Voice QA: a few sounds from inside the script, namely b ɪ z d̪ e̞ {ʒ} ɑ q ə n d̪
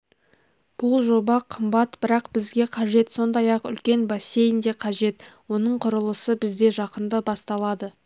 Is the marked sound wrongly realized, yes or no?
no